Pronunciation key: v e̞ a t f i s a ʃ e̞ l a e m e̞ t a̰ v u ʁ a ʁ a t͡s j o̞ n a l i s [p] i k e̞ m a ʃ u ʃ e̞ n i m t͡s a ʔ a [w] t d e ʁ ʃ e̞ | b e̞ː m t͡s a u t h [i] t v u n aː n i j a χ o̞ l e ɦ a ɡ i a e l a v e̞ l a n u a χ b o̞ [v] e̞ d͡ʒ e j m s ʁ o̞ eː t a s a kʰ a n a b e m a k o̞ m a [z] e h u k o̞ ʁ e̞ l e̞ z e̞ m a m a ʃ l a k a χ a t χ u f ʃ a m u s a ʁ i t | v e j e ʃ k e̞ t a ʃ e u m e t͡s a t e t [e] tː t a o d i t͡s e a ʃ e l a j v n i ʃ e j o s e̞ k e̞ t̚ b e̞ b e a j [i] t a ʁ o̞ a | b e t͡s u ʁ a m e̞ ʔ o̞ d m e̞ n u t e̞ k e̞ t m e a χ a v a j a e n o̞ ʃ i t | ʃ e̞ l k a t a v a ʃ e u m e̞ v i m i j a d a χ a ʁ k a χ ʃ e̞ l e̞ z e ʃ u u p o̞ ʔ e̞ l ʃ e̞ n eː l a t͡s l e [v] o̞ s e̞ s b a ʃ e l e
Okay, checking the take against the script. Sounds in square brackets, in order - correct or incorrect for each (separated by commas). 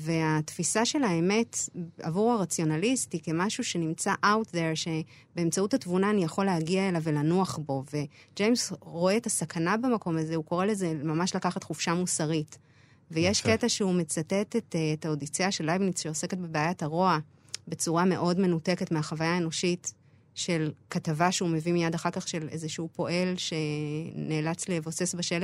incorrect, correct, incorrect, correct, correct, correct, incorrect, correct